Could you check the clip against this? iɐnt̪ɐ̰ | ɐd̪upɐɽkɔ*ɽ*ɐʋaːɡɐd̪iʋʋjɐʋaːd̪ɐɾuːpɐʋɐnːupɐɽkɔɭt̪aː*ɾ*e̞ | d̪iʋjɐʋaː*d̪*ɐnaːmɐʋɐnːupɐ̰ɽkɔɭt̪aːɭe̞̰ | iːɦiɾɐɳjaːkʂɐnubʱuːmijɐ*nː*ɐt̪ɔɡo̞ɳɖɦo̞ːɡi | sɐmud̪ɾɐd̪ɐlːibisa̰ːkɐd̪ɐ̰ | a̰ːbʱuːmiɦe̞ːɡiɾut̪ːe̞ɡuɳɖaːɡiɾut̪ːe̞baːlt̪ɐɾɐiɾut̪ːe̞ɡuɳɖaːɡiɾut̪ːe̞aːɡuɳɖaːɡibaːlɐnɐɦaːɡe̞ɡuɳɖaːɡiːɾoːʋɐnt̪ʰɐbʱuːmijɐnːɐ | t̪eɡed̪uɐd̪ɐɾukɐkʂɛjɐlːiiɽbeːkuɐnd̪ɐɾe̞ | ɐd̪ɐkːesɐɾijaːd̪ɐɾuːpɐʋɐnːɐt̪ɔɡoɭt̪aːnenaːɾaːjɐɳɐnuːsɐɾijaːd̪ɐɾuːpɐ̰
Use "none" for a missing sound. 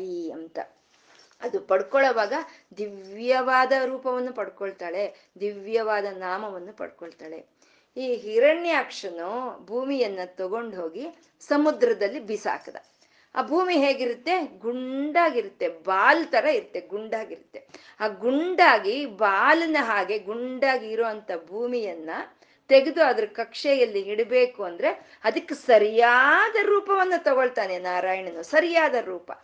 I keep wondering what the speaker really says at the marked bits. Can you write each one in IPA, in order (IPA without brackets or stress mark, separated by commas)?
ɭ, ɭ, d̪, nː